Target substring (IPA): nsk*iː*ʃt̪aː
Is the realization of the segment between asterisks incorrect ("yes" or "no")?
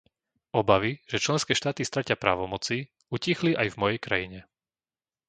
yes